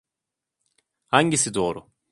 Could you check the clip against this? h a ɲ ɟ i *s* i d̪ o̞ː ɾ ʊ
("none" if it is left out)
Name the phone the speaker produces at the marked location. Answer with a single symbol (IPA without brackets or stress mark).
s